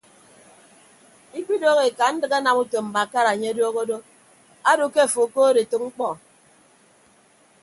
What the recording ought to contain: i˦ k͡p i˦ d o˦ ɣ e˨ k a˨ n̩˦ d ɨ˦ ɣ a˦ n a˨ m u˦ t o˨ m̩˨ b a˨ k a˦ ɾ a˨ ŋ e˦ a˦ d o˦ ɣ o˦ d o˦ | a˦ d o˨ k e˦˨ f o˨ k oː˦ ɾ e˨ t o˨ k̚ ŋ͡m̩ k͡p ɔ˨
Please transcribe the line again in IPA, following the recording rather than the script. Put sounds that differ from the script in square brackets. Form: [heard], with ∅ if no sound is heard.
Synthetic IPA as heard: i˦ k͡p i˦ d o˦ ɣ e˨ k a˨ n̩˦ d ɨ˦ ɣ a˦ n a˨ m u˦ t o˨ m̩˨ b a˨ k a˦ ɾ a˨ [ɲ] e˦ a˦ d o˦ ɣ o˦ d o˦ | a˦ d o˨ k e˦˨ f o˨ k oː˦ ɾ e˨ t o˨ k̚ ŋ͡m̩ k͡p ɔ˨